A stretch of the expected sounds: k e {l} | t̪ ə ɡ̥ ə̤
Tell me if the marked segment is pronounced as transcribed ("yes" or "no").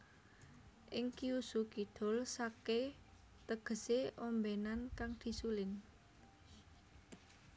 no